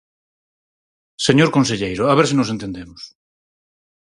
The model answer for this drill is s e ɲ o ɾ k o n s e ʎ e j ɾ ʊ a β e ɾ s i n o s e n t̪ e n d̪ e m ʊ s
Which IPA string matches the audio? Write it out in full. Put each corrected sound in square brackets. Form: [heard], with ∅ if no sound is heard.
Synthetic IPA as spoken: s e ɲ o ɾ k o n s e ʎ e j ɾ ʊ a β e ɾ s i n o s e n t̪ e n d̪ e m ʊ s